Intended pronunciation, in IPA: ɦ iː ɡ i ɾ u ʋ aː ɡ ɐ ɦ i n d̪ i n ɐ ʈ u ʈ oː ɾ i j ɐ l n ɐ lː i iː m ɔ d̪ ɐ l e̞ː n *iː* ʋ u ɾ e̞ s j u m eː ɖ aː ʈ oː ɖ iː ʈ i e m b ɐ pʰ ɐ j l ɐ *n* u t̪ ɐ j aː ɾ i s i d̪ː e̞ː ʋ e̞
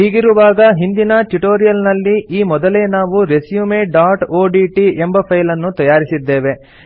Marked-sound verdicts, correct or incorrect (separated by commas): incorrect, incorrect